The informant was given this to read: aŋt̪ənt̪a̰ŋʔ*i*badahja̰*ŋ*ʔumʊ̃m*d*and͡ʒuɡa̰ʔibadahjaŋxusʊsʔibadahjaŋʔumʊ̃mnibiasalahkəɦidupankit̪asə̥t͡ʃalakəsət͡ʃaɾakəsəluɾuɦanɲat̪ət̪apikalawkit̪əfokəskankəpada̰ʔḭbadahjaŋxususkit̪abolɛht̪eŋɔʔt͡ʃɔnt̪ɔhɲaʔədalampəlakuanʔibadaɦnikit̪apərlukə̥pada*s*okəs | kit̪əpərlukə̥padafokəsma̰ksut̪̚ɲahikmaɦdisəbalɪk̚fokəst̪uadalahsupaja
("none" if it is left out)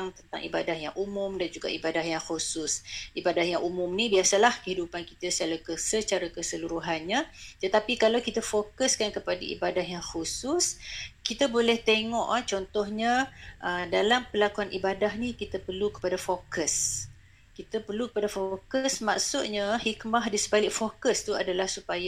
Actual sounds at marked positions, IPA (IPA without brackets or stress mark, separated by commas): i, ŋ, d, f